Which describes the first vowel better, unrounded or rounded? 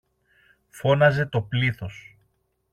rounded